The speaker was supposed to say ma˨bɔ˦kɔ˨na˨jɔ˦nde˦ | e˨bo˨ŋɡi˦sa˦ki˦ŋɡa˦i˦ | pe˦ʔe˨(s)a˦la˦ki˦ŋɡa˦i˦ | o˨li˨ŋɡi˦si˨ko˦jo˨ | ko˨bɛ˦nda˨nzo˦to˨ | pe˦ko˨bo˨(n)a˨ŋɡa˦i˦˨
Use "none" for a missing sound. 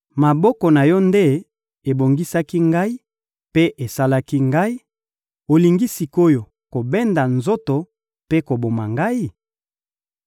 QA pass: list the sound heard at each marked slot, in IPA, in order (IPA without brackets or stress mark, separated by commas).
s, m